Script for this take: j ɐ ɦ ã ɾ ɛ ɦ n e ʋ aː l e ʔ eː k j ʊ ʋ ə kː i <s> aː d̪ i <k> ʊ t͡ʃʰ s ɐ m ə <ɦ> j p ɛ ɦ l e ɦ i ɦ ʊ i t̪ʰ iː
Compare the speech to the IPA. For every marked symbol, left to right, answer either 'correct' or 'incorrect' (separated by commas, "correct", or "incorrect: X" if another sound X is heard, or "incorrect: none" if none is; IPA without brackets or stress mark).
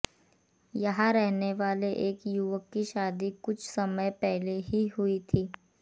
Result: incorrect: ʃ, correct, incorrect: none